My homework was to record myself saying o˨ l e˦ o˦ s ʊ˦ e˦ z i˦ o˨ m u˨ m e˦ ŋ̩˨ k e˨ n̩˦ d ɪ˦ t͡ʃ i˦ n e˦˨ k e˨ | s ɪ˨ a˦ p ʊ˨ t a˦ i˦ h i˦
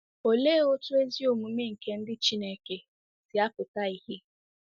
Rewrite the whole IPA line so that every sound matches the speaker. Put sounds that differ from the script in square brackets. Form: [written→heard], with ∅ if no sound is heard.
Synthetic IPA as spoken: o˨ l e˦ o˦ [s→t] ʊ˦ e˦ z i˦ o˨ m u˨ m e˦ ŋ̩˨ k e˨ n̩˦ d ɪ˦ t͡ʃ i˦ n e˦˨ k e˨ | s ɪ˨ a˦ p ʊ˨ t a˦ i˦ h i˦